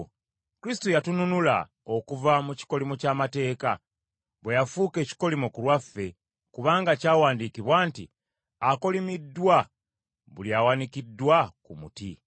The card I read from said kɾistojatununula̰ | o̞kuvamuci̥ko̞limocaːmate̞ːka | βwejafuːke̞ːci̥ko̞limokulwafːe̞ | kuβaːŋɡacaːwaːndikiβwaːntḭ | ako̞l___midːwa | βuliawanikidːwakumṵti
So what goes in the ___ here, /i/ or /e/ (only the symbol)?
i